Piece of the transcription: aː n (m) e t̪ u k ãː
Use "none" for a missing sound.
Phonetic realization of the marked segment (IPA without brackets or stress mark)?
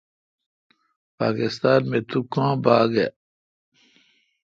m